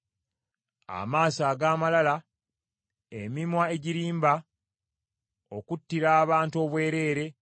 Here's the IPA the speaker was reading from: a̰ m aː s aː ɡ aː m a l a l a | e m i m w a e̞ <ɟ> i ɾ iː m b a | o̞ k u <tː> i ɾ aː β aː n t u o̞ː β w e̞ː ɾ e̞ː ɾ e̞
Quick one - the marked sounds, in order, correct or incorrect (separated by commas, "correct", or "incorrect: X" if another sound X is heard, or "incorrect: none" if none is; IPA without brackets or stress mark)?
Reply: correct, correct